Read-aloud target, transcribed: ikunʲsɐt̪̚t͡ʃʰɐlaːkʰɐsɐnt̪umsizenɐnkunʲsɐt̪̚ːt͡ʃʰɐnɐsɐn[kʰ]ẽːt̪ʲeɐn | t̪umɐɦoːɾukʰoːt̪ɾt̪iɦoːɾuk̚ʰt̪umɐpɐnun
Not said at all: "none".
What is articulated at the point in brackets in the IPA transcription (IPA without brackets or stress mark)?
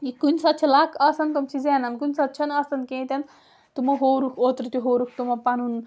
k